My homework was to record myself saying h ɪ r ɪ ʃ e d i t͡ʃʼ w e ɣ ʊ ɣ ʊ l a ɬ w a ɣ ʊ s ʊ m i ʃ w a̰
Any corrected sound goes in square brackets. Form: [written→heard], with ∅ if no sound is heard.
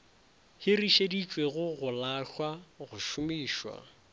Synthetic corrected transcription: h ɪ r [ɪ→i] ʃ e d i t͡ʃʼ w e ɣ ʊ ɣ ʊ l a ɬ w a ɣ ʊ [s→ʃ] ʊ m [i→iː] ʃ w a̰